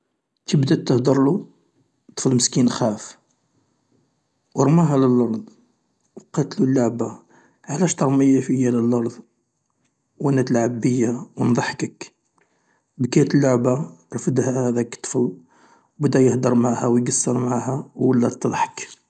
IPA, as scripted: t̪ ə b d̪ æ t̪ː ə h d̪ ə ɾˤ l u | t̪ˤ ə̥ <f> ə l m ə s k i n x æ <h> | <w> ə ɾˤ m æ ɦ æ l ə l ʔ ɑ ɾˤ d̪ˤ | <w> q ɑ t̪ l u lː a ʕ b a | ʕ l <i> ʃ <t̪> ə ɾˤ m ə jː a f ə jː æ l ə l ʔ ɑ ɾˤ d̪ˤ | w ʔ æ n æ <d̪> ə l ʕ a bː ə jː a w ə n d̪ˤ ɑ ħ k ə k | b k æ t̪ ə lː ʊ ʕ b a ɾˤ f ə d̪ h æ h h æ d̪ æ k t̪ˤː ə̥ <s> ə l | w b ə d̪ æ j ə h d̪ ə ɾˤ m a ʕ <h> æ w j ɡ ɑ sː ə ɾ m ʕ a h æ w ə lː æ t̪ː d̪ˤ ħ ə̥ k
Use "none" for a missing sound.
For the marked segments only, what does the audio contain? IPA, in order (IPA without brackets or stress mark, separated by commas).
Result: f, f, w, w, æ, t̪, t̪, f, h